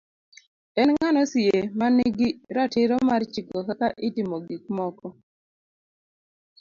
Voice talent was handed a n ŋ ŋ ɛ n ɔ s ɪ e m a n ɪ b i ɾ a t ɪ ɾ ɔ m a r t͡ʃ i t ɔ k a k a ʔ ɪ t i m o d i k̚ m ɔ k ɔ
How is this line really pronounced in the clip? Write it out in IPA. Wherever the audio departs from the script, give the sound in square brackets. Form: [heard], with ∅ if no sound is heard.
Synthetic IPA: [ɛ] n ŋ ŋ [a] n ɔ s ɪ e m a n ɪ [ɡ] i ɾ a t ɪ ɾ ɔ m a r t͡ʃ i [k] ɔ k a k a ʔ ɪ t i m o [ɡ] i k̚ m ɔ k ɔ